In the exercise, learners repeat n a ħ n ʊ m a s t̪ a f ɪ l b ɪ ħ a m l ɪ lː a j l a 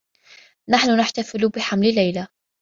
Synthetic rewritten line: n a ħ n ʊ n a ħ t̪ a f ɪ l b ɪ ħ a m l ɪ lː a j l a